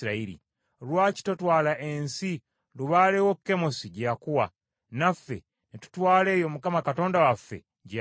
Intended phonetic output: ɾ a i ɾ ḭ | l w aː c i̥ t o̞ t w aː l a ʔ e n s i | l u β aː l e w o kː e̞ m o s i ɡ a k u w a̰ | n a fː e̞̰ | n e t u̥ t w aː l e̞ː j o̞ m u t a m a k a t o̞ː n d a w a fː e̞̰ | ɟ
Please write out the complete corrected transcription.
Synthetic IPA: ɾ a i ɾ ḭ | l w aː c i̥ t o̞ t w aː l a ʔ e n s i | l u β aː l e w o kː e̞ m o s i ɟ a k u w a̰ | n a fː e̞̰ | n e t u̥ t w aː l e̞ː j o̞ m u k a m a k a t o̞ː n d a w a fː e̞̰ | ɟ